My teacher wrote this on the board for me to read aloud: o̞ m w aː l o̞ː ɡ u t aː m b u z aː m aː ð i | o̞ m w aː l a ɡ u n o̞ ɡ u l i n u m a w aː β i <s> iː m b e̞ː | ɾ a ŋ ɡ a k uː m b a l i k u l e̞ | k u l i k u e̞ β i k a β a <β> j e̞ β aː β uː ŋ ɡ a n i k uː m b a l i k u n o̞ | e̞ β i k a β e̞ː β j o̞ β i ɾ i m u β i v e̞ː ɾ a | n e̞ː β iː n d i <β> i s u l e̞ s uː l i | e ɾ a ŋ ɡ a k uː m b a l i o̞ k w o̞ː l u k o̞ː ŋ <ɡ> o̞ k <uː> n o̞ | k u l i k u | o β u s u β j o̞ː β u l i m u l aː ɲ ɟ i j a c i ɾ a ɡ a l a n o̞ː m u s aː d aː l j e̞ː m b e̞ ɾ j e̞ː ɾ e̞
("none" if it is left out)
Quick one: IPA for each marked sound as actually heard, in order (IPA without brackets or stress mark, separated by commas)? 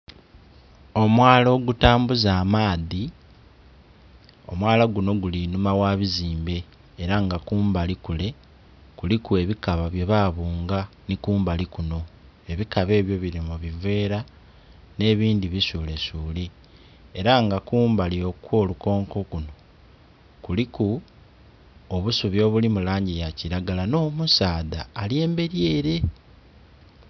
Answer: z, β, β, k, u